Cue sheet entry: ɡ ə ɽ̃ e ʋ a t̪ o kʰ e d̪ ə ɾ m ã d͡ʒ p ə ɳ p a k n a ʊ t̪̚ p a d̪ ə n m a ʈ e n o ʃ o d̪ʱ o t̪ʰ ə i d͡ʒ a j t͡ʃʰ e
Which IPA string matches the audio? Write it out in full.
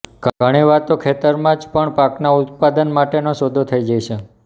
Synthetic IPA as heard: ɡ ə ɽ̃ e ʋ a t̪ o kʰ e t̪ ə ɾ m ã d͡ʒ p ə ɳ p a k n a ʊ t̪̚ p a d̪ ə n m a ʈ e n o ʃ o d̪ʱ o t̪ʰ ə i d͡ʒ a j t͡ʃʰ e